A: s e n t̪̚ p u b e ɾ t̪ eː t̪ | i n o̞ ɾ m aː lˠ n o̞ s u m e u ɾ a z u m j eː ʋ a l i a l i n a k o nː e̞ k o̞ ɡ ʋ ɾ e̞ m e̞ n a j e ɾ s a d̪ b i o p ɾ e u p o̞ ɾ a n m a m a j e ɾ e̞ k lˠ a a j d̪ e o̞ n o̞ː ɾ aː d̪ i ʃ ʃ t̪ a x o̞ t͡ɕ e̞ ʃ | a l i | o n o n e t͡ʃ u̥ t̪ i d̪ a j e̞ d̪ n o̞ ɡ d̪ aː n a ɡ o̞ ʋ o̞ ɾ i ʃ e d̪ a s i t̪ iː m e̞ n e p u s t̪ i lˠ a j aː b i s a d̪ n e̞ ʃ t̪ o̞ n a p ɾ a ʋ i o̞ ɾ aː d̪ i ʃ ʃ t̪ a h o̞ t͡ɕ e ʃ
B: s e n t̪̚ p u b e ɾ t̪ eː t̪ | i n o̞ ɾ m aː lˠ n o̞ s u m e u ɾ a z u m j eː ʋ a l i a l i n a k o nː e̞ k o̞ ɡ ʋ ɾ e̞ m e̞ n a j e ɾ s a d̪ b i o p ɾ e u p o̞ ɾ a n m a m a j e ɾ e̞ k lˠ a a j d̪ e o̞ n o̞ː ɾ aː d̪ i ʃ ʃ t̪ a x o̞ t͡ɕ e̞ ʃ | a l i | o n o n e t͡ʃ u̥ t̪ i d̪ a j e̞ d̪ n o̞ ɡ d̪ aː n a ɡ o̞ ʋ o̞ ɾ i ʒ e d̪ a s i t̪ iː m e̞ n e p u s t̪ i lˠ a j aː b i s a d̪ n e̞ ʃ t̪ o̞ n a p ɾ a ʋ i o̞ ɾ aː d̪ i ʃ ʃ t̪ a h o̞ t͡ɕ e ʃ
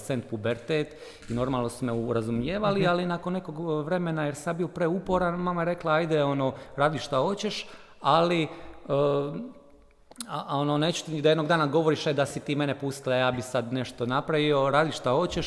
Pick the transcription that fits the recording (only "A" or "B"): A